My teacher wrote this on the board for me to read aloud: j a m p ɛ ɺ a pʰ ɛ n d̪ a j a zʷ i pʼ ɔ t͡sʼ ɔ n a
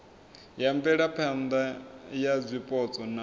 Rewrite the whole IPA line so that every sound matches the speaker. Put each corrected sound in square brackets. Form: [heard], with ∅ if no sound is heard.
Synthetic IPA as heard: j a m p ɛ ɺ a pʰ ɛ n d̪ a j a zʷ i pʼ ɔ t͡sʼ ɔ n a